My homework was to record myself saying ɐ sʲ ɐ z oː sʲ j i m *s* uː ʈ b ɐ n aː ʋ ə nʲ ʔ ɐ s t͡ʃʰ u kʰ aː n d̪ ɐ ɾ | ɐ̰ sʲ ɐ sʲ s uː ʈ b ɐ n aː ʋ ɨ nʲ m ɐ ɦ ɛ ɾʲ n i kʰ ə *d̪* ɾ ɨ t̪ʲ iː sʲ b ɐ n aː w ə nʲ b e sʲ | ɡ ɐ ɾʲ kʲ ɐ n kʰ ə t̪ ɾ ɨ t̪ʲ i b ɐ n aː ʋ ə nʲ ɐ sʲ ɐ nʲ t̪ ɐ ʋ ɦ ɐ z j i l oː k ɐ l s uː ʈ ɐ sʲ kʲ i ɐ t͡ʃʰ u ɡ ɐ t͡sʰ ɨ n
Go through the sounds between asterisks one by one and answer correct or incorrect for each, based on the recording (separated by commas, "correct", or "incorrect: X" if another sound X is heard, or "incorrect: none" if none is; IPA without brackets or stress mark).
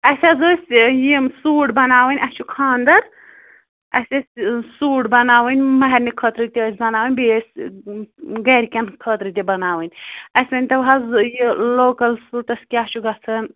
correct, incorrect: t̪